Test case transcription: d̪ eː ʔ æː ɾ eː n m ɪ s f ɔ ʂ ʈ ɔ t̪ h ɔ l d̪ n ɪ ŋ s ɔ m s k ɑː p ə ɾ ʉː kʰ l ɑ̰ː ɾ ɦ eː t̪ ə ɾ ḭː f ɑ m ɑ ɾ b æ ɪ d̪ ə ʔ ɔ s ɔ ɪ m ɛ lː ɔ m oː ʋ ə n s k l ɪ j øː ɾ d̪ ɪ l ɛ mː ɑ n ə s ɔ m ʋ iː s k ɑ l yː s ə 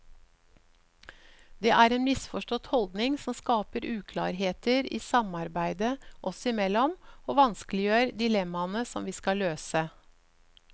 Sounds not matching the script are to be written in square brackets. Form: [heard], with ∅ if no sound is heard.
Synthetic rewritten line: d̪ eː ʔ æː ɾ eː n m ɪ s f ɔ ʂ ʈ ɔ t̪ h ɔ l d̪ n ɪ ŋ s ɔ m s k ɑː p ə ɾ ʉː kʰ l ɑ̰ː ɾ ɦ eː t̪ ə ɾ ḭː [s] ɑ m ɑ ɾ b æ ɪ d̪ ə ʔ ɔ s ɔ ɪ m ɛ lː ɔ m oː ʋ [ɑ] n s k l ɪ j øː ɾ d̪ ɪ l ɛ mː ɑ n ə s ɔ m ʋ iː s k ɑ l [øː] s ə